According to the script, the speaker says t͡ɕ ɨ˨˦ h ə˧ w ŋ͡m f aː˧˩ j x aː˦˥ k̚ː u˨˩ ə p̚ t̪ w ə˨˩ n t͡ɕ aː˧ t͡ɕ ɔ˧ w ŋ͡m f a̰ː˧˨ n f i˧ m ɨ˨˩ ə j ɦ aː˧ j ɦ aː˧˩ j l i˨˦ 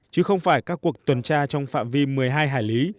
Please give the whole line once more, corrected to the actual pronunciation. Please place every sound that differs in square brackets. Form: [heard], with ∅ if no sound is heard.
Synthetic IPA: t͡ɕ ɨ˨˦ [x] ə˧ w ŋ͡m f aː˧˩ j [k] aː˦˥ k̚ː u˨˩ ə [k̚] t̪ w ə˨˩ n t͡ɕ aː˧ t͡ɕ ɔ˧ w ŋ͡m f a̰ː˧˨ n [v] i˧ m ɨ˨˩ ə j ɦ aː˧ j ɦ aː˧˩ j l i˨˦